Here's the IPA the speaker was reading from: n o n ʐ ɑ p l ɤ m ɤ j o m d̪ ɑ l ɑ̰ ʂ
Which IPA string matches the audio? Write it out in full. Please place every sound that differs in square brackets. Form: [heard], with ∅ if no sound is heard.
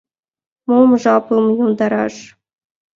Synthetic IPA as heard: [m] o [m] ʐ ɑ p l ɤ m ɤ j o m d̪ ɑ [ɾ] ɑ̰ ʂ